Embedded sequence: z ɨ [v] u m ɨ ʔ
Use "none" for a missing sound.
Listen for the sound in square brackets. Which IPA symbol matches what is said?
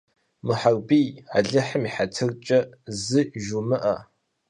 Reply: ʒ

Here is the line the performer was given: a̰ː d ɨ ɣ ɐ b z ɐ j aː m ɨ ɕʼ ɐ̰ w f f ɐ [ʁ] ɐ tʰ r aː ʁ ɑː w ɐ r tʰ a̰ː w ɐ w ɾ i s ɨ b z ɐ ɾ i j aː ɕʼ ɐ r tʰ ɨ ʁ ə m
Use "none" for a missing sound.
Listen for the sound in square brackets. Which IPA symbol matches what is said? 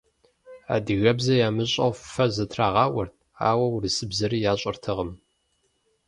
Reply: z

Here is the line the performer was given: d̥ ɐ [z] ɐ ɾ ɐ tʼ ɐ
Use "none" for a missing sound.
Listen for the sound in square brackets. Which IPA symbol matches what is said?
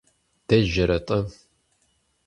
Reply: ʒ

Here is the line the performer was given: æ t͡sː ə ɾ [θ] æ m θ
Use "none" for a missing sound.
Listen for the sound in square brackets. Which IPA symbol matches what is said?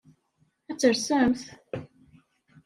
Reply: s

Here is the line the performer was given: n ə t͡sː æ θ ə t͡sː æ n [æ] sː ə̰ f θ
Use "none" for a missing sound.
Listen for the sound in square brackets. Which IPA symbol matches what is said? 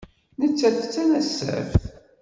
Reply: æ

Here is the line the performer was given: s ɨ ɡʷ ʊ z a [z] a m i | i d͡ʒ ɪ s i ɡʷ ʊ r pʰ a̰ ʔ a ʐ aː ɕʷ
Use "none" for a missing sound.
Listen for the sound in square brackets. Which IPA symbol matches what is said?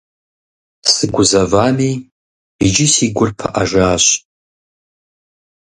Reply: v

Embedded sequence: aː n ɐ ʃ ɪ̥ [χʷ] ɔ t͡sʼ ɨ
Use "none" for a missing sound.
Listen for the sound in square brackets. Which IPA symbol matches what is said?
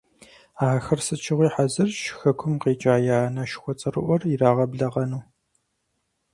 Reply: xʷ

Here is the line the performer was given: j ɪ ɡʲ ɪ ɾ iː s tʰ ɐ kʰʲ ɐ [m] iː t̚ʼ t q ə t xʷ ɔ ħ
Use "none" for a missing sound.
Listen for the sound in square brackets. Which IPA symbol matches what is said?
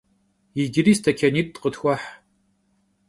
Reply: n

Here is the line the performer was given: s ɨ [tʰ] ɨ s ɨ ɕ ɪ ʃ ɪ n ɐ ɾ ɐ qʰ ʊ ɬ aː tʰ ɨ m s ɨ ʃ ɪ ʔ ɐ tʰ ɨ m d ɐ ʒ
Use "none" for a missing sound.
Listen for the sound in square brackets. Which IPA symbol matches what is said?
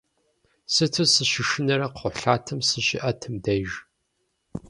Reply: tʰ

